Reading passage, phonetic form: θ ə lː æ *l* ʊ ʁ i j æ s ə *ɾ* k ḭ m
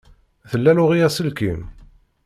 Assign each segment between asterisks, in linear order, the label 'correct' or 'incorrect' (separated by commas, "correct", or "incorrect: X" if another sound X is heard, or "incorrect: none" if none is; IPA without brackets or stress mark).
correct, incorrect: l